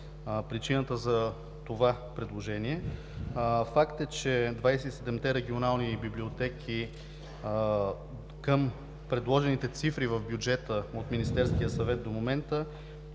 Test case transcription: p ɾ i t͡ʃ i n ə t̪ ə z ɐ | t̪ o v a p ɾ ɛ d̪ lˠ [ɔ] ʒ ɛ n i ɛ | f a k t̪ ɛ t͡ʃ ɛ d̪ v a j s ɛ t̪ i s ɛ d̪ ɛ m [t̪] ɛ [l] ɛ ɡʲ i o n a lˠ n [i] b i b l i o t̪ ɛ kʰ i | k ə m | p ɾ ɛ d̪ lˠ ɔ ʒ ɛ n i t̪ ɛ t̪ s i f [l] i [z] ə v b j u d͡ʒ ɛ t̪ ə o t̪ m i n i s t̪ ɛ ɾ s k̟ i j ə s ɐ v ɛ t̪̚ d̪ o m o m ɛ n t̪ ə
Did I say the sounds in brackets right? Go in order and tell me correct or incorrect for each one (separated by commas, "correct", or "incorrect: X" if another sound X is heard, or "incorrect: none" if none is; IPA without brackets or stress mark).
incorrect: o, correct, incorrect: ɾ, correct, incorrect: ɾ, incorrect: v